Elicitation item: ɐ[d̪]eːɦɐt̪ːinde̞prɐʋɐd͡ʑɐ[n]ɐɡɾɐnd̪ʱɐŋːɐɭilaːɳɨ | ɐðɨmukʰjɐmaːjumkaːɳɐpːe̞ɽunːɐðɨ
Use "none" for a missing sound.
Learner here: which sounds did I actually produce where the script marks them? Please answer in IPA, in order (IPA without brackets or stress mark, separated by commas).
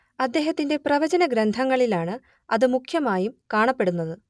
d̪ː, n